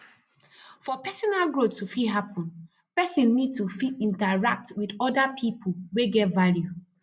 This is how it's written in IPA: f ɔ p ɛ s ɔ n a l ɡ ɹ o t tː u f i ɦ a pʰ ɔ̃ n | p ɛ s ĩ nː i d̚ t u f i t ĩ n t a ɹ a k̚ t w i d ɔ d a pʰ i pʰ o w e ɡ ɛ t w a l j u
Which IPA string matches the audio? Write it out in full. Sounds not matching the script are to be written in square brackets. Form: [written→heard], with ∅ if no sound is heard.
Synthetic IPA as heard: f ɔ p ɛ s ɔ n a l ɡ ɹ o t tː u f i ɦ a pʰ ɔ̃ n | p ɛ s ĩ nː i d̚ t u f i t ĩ n t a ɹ a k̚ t w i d ɔ d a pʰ i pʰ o w e ɡ ɛ t [w→v] a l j u